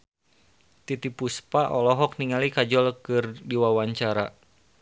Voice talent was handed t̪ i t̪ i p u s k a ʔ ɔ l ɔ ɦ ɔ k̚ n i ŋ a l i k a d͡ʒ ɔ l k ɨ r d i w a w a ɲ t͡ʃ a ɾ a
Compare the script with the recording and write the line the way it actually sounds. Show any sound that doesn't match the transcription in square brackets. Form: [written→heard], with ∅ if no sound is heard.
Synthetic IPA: t̪ i t̪ i p u s [k→p] a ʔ ɔ l ɔ ɦ ɔ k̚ n i ŋ a l i k a d͡ʒ ɔ l k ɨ r d i w a w a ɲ t͡ʃ a ɾ a